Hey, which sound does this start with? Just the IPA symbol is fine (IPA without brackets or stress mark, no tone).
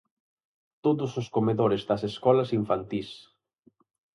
t̪